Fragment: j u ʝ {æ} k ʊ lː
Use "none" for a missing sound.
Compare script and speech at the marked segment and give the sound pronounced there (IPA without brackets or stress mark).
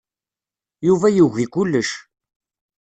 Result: i